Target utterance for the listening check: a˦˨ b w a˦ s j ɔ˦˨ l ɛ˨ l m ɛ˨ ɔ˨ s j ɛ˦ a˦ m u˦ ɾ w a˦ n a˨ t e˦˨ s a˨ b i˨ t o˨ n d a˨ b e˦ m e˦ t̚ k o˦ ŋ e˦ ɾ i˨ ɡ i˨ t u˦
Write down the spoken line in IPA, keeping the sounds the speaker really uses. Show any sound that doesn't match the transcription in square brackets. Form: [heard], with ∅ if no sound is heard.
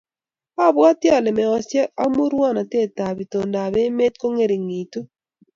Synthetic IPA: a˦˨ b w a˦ [t] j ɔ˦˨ l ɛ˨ [∅] m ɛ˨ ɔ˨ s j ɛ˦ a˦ m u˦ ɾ w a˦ n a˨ t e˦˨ [t] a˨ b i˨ t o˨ n d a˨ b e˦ m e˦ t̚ k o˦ ŋ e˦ ɾ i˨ [ŋ] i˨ t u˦